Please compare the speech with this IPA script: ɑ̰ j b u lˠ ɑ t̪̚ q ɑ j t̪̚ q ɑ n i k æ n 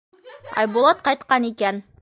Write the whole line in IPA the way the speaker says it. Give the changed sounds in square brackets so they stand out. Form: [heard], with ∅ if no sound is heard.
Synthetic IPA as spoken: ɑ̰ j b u lˠ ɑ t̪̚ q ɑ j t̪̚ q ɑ n i k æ n